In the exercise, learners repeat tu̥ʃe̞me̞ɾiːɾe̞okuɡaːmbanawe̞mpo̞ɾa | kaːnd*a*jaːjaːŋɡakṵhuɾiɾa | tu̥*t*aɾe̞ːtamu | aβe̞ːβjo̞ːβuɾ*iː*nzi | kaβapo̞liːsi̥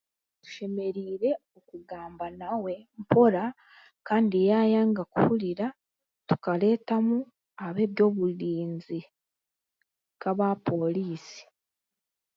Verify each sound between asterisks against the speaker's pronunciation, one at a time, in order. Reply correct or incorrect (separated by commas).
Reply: incorrect, incorrect, correct